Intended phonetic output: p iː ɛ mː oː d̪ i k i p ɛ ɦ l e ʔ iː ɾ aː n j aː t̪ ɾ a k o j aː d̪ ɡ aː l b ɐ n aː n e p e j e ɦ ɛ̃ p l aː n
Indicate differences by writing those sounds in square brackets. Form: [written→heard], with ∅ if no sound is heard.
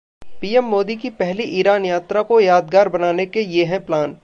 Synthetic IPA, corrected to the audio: p iː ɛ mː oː d̪ i k i p ɛ ɦ l [e→i] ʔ iː ɾ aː n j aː t̪ ɾ a k o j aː d̪ ɡ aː [l→ɾ] b ɐ n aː n e [p→k] e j e ɦ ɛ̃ p l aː n